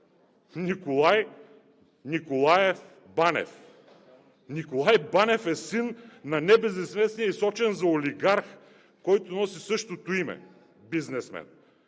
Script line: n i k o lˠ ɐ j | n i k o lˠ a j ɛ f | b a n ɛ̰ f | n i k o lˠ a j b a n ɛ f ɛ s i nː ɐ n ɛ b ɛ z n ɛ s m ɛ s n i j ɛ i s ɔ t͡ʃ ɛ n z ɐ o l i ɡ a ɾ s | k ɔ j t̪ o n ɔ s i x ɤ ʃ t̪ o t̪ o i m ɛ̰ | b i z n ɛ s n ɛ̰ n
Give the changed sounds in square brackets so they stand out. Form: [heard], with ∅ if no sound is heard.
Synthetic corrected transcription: n i k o lˠ [a] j | n i k o lˠ a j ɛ f | b a n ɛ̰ f | n i k o lˠ a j b a n ɛ f ɛ s i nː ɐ n ɛ b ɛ z n ɛ s m ɛ s n i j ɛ i s ɔ t͡ʃ ɛ n z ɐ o l i ɡ a ɾ [x] | k ɔ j t̪ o n ɔ s i [s] ɤ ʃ t̪ o t̪ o i m ɛ̰ | b i z n ɛ s [m] ɛ̰ n

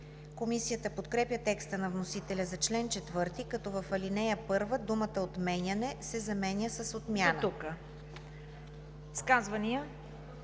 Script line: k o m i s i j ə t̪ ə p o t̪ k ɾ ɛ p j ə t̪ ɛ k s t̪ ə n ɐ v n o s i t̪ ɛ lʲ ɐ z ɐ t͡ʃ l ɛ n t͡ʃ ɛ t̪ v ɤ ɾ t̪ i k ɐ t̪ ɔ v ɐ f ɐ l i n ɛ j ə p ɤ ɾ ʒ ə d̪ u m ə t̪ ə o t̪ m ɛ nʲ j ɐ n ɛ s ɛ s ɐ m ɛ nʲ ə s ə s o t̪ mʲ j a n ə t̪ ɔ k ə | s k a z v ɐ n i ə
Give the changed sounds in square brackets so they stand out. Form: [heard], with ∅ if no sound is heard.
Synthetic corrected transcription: k o m i s i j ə t̪ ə p o t̪ k ɾ ɛ p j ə t̪ ɛ k s t̪ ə n ɐ v n o s i t̪ ɛ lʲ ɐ z ɐ t͡ʃ l ɛ n t͡ʃ ɛ t̪ v ɤ ɾ t̪ i k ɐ t̪ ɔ v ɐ f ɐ l i n ɛ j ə p ɤ ɾ [v] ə d̪ u m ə t̪ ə o t̪ m ɛ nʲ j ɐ n ɛ s ɛ [z] ɐ m ɛ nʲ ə s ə s o t̪ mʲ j a n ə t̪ [u] k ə | s k a z v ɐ n i ə

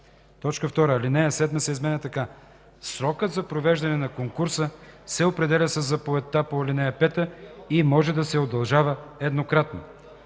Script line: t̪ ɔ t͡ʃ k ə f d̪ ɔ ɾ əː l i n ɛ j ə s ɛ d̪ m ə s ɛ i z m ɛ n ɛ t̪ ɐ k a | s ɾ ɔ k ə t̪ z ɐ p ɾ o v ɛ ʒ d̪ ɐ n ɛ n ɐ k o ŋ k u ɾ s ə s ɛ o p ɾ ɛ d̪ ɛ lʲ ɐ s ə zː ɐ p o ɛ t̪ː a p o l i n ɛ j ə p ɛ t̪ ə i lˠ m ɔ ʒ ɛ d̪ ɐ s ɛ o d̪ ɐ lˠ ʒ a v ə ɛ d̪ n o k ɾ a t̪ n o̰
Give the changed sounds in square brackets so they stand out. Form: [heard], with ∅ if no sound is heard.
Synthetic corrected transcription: t̪ ɔ t͡ʃ k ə f [t̪] ɔ ɾ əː l i n ɛ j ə s ɛ d̪ m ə s ɛ i z m ɛ n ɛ t̪ ɐ k a | s ɾ ɔ k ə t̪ z ɐ p ɾ o v ɛ ʒ d̪ ɐ n ɛ n ɐ k o ŋ k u ɾ s ə s ɛ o p ɾ ɛ d̪ ɛ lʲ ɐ s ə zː ɐ p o ɛ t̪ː a p o l i n ɛ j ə p ɛ t̪ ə i [∅] m ɔ ʒ ɛ d̪ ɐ s ɛ o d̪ ɐ lˠ ʒ a v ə ɛ d̪ n o k ɾ a t̪ n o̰

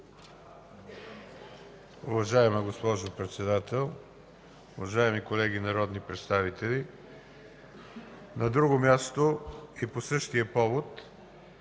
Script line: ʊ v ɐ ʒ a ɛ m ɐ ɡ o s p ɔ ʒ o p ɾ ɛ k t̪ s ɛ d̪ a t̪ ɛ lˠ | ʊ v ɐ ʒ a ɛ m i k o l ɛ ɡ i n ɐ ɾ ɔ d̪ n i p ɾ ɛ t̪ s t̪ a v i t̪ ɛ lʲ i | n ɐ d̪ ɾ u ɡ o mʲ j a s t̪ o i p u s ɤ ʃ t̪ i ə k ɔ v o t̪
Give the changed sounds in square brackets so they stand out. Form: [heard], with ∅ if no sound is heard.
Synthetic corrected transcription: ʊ v ɐ ʒ a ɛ m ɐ ɡ o s p ɔ ʒ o p ɾ ɛ [∅] t̪ s ɛ d̪ a t̪ ɛ lˠ | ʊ v ɐ ʒ a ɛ m i k o l ɛ ɡ i n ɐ ɾ ɔ d̪ n i p ɾ ɛ t̪ s t̪ a v i t̪ ɛ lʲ i | n ɐ d̪ ɾ u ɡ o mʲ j a s t̪ o i p [o] s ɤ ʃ t̪ i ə [p] ɔ v o t̪

